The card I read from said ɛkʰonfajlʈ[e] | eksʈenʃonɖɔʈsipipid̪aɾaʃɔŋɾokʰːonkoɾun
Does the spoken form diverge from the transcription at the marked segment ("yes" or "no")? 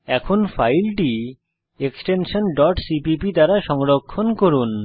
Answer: yes